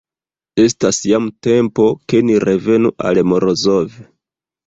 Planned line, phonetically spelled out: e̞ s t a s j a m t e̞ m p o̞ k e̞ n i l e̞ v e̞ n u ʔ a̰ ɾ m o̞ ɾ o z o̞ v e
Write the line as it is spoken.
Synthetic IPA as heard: e̞ s t a s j a m t e̞ m p o̞ k e̞ n i ɾ e̞ v e̞ n u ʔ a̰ l m o̞ ɾ o z o̞ v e